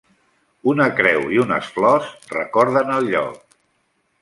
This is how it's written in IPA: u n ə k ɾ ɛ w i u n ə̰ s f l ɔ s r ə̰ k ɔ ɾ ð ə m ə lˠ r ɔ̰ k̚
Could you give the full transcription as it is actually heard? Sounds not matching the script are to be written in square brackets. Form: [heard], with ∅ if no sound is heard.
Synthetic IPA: u n ə k ɾ ɛ w i u n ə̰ s f l ɔ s r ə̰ k ɔ ɾ ð ə [n] ə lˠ [ʎ] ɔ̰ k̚